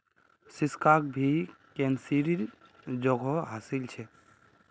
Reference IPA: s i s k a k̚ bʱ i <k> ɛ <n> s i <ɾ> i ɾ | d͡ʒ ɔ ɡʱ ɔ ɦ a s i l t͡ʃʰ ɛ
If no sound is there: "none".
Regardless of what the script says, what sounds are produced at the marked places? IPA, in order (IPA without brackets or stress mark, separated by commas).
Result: k, n, ɾ